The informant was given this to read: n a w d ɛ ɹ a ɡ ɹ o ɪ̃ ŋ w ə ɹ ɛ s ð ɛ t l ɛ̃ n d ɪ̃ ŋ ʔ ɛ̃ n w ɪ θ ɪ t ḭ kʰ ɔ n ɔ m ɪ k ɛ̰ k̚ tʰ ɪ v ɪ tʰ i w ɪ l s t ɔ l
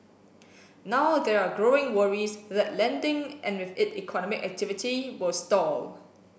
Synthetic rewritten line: n a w d ɛ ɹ a ɡ ɹ o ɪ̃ ŋ w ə ɹ i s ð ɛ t l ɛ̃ n d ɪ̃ ŋ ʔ ɛ̃ n w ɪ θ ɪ t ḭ kʰ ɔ n ɔ m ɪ k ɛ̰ k̚ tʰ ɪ v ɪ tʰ i w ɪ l s t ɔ l